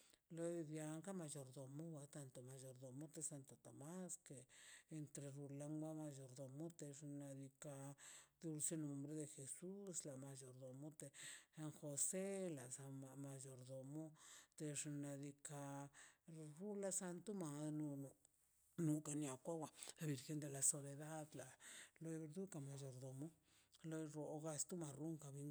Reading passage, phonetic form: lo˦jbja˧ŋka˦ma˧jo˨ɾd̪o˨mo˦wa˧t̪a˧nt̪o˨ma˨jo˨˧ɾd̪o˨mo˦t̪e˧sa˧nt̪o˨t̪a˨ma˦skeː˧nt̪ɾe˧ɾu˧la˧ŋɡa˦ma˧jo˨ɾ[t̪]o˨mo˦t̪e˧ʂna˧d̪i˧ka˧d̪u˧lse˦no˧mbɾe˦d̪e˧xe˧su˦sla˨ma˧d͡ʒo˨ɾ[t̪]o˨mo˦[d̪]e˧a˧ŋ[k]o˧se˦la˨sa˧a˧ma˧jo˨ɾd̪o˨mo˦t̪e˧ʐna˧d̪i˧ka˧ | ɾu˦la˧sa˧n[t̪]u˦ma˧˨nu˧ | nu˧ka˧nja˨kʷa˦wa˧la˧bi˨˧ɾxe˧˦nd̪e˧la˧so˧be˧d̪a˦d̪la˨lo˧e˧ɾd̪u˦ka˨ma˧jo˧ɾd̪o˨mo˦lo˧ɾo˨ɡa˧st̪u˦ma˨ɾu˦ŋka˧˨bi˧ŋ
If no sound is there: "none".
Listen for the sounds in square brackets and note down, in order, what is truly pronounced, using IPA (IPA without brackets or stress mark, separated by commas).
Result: d̪, d̪, t̪, x, t̪